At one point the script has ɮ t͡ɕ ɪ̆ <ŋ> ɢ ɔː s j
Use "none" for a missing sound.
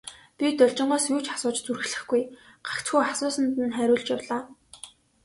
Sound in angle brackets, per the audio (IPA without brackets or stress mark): ɴ